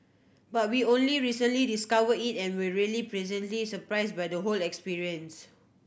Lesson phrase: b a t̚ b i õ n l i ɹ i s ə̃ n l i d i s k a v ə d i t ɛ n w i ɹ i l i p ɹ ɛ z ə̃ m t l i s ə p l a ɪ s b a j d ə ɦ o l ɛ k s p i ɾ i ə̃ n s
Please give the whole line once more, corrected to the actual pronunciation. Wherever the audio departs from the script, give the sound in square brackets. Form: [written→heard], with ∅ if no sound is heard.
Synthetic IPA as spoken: b a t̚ [b→w] i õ n l i ɹ i s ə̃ n l i d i s k a v ə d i t [ɛ→ɛ̃] n w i ɹ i l i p ɹ ɛ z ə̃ [m→n] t l i s ə p [l→ɹ] a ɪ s b a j d ə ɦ o l ɛ k s p i [ɾ→ɹ] i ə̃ n s